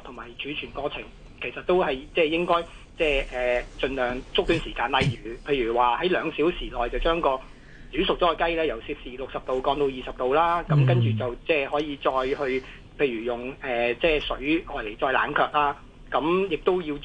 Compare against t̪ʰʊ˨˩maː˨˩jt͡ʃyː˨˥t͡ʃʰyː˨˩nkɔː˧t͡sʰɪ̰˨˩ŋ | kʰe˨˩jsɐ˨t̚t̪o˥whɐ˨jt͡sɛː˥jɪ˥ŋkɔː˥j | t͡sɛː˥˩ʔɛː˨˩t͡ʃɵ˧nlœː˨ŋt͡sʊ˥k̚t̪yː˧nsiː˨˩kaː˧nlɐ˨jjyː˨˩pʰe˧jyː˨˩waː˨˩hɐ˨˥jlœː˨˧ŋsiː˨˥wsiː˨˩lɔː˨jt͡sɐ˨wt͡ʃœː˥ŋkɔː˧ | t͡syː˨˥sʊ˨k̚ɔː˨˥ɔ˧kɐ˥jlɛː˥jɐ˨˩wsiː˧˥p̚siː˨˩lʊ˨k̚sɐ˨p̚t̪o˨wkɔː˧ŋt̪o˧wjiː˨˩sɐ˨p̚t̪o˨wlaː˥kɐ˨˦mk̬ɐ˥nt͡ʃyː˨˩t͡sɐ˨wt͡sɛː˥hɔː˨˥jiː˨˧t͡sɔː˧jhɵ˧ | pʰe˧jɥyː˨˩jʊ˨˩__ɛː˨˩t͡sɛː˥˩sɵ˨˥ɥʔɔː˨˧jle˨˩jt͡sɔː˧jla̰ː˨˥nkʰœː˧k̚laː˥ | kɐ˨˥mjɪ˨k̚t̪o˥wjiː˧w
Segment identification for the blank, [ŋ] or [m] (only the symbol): ŋ